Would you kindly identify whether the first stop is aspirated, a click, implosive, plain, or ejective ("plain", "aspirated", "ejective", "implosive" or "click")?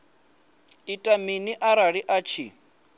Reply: ejective